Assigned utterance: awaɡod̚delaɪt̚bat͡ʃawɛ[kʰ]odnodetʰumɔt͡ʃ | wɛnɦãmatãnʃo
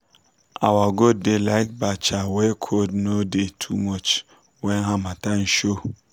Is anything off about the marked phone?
no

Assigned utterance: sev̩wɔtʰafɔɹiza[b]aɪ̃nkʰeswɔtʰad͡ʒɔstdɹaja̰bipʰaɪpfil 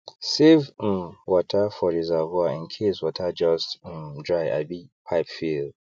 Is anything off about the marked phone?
yes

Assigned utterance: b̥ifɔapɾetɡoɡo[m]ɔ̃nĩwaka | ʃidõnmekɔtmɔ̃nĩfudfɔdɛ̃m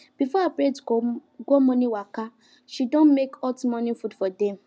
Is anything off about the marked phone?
no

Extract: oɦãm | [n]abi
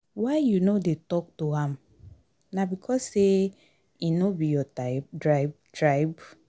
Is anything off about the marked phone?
no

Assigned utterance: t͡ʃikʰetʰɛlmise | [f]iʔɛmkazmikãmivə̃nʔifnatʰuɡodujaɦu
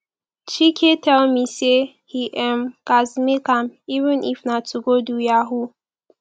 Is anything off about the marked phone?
yes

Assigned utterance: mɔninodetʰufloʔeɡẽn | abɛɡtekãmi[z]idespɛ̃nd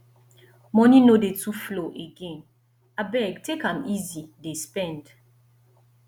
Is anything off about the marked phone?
no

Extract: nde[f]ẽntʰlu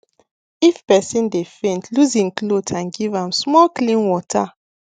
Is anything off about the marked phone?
no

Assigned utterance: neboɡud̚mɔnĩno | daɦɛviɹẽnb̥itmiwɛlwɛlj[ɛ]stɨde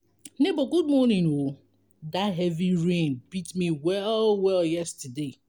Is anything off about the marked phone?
no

